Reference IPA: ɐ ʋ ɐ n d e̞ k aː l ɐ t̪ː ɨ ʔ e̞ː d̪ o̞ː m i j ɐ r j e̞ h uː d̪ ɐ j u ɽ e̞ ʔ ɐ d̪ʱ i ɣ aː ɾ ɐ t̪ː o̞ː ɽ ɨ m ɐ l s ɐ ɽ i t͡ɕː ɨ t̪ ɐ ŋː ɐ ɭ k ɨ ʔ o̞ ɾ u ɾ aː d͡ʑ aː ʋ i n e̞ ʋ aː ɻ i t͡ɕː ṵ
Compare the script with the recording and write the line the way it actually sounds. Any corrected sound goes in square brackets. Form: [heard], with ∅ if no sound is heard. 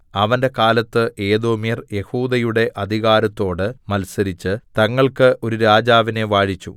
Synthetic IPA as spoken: ɐ ʋ ɐ n d e̞ k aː l ɐ t̪ː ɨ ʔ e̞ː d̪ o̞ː m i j ɐ r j e̞ h uː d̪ ɐ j u ɽ e̞ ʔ ɐ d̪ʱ i ɣ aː ɾ ɐ t̪ː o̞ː ɽ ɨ m ɐ l s ɐ [ɾ] i t͡ɕː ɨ t̪ ɐ ŋː ɐ ɭ k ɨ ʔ o̞ ɾ u ɾ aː d͡ʑ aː ʋ i n e̞ ʋ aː ɻ i t͡ɕː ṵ